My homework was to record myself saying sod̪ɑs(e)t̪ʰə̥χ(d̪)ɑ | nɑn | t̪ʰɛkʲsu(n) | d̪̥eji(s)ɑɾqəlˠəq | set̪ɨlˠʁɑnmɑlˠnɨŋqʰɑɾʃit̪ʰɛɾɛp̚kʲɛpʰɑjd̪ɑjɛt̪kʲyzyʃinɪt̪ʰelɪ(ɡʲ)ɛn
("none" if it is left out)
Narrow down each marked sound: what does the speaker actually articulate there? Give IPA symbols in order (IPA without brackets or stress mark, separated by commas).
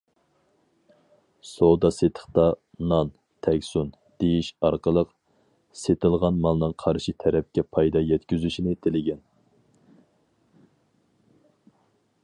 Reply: e, t̪, n, ʃ, ɡʲ